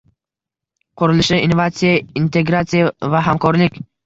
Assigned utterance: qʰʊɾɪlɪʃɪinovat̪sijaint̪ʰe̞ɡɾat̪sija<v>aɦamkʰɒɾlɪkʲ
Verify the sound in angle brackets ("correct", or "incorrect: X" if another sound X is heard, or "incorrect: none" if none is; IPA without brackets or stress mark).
correct